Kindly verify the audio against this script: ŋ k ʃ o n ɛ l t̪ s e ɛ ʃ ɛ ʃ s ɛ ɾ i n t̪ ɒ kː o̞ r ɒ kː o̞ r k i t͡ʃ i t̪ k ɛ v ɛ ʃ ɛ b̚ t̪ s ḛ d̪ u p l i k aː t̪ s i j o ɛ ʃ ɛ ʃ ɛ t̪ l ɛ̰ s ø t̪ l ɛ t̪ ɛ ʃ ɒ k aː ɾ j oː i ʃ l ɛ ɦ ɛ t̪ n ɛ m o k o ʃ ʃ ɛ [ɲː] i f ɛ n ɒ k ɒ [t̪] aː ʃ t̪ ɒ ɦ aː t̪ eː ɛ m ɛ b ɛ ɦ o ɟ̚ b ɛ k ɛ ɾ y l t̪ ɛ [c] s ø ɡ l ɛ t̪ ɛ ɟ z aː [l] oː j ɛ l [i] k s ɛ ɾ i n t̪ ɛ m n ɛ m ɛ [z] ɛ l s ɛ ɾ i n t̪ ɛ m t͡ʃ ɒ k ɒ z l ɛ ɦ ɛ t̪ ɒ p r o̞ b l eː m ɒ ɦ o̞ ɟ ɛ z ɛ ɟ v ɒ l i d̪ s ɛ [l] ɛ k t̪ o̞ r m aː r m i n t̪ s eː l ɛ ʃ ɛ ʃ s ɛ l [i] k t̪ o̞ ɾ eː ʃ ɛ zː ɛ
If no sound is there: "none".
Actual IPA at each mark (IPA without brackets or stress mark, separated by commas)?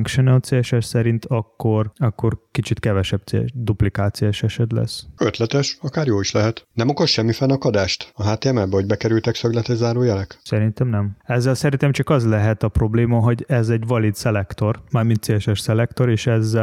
mː, d̪, k, ɾ, ɛ, zː, l, ɛ